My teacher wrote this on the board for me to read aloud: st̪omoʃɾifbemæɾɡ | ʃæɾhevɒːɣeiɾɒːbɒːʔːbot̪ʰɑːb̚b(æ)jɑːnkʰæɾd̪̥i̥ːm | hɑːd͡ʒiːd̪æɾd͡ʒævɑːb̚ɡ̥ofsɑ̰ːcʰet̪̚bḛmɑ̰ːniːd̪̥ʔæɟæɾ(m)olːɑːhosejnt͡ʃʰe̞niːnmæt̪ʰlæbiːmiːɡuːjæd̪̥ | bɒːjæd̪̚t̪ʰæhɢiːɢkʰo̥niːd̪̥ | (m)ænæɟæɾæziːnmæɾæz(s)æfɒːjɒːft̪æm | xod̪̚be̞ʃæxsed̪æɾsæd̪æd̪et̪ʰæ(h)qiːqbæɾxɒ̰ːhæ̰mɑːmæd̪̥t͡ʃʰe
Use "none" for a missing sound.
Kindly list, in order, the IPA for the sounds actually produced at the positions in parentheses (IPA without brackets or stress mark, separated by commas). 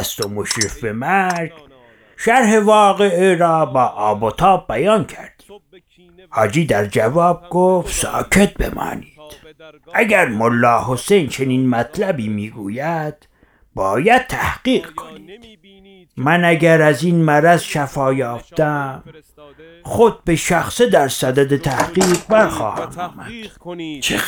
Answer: æ, m, m, ʃ, h